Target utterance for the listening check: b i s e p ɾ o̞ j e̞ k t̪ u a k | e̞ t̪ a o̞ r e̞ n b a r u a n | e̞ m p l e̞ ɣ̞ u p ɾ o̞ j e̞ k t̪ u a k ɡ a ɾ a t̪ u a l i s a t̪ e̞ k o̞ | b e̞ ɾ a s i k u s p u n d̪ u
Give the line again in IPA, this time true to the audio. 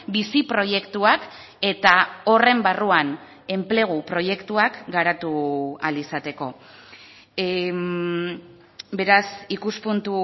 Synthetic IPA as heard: b i s i p ɾ o̞ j e̞ k t̪ u a k | e̞ t̪ a o̞ r e̞ m b a r u a n | e̞ m p l e̞ ɣ̞ u p ɾ o̞ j e̞ k t̪ u a k ɡ a ɾ a t̪ u a l i s a t̪ e̞ k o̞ | b e̞ ɾ a s i k u s p u n t̪ u